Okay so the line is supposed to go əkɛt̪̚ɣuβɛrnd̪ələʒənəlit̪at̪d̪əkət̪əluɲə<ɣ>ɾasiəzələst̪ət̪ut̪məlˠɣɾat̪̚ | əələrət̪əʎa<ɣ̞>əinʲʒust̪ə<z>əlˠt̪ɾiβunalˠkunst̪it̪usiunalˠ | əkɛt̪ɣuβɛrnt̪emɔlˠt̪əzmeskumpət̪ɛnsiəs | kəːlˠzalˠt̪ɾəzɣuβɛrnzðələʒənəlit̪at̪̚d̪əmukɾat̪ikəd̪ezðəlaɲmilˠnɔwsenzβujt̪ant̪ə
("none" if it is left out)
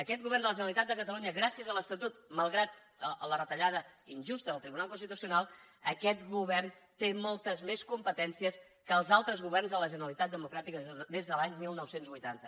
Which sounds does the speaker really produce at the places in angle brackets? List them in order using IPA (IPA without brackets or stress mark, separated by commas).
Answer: ɣ, ð̞, ð